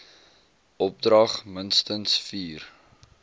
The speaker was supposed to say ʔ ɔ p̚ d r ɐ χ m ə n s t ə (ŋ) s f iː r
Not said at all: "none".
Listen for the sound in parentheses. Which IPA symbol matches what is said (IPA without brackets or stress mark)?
n